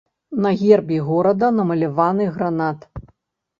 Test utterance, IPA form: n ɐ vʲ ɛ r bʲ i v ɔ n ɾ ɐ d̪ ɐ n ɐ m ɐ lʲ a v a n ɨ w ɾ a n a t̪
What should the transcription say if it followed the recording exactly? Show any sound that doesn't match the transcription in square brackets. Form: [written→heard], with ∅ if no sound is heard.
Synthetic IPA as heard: n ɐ [vʲ→ɣʲ] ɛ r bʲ i [v→ɣ] ɔ [n→∅] ɾ ɐ d̪ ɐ n ɐ m ɐ lʲ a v a n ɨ [w→ɣ] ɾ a n a t̪